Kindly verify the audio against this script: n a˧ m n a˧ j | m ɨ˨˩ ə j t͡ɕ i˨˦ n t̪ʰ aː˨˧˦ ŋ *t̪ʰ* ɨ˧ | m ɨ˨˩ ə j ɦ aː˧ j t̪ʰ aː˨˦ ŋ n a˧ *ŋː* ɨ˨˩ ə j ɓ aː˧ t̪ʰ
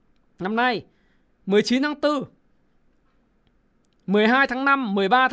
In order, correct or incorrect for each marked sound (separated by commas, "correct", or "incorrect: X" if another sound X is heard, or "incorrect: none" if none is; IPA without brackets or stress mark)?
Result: incorrect: t̪, incorrect: mː